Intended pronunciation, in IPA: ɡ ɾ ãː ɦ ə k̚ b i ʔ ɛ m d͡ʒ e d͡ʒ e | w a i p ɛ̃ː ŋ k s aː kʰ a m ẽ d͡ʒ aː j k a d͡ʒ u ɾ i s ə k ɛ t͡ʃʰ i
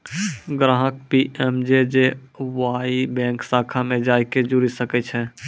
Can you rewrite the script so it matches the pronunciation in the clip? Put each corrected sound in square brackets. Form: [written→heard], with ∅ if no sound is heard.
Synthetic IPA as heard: ɡ ɾ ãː ɦ ə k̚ [b→p] i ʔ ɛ m d͡ʒ e d͡ʒ e | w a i [p→b] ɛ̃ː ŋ k s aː kʰ a m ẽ d͡ʒ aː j k [a→e] d͡ʒ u ɾ i s ə k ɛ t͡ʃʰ [i→ɛ]